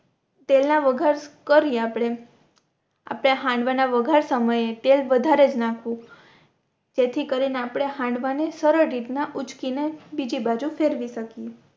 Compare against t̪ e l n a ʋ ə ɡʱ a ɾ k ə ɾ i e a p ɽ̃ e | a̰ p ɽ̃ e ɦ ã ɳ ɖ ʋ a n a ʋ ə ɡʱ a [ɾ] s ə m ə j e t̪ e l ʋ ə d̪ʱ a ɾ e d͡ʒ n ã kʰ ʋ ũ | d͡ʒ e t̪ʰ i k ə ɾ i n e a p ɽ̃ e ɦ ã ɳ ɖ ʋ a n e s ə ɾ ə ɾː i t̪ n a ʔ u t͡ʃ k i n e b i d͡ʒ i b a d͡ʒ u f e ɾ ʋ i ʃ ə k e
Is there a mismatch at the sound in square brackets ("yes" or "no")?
no